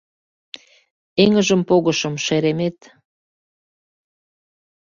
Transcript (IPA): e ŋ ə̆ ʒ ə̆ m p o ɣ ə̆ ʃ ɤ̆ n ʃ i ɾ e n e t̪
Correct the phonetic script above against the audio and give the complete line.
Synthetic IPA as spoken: e ŋ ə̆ ʒ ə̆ m p o ɣ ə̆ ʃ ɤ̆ m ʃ e ɾ e m e t̪